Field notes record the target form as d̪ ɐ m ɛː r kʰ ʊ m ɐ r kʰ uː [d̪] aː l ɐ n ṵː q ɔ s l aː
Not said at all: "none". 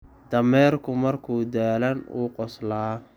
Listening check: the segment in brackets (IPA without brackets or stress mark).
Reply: d̪